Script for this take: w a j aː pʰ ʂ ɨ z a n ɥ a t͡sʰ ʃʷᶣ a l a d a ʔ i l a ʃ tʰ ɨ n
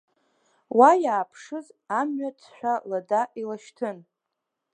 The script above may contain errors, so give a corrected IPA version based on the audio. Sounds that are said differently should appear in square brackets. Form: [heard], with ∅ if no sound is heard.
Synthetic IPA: w a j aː pʰ ʂ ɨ z a [m] ɥ a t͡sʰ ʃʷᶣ a l a d a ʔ i l a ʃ tʰ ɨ n